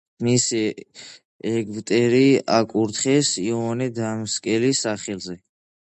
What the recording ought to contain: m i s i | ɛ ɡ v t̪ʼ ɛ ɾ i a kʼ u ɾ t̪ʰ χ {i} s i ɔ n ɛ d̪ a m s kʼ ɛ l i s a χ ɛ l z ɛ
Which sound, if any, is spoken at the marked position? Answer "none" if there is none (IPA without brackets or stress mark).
ɛ